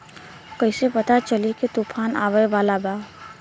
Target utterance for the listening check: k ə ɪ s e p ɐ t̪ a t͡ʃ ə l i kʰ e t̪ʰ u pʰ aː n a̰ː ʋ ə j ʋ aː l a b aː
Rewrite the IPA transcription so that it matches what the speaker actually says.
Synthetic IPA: k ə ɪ s e p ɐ t̪ a t͡ʃ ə l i k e t̪ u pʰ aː n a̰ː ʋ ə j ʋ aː l a b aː